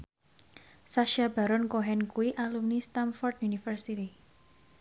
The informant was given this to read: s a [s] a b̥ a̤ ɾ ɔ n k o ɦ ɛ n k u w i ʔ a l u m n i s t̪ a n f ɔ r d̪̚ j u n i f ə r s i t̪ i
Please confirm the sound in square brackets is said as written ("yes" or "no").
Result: no